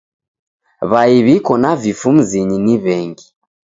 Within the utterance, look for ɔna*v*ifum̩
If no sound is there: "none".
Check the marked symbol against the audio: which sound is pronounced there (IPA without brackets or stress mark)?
v